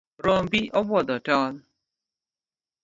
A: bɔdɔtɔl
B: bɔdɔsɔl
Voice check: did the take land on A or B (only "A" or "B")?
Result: A